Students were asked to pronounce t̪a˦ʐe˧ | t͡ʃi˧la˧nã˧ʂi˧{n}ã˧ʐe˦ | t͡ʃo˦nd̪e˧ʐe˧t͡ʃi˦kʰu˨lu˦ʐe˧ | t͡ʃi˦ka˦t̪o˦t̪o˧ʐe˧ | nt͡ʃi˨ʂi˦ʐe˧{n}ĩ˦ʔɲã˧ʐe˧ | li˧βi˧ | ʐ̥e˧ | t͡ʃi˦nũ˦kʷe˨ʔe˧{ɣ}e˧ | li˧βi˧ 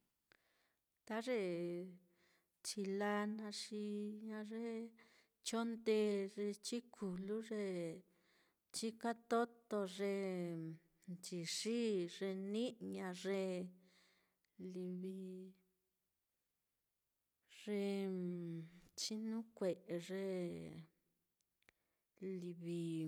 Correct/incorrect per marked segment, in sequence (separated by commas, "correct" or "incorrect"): incorrect, correct, incorrect